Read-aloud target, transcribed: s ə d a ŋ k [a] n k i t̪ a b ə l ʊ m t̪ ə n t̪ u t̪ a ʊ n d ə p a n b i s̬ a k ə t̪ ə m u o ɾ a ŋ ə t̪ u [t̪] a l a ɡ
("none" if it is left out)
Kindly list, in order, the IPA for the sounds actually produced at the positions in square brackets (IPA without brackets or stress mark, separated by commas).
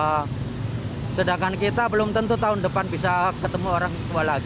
a, none